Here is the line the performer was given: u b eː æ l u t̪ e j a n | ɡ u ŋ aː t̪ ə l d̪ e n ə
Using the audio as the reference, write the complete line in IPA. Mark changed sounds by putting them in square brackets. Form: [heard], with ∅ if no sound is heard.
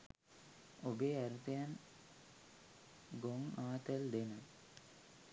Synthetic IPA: [o] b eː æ [ɾ] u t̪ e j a n | ɡ [o] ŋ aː t̪ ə l d̪ e n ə

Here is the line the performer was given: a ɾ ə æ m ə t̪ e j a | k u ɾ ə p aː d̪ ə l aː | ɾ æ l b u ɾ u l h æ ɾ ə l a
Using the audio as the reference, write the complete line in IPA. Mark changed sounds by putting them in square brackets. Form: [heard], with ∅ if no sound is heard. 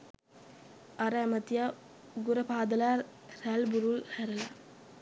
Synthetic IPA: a ɾ ə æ m ə t̪ [i] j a | [ɡ] u ɾ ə p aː d̪ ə l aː | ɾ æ l b u ɾ u l h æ ɾ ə l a

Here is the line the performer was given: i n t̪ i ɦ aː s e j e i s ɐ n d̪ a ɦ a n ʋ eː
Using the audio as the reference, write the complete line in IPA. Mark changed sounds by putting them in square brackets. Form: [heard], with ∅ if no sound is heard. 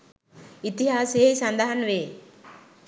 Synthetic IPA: i [∅] t̪ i ɦ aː s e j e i s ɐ n d̪ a ɦ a n ʋ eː

